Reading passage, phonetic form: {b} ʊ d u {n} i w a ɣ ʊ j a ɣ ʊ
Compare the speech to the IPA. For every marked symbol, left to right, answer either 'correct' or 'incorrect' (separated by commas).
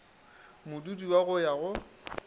incorrect, incorrect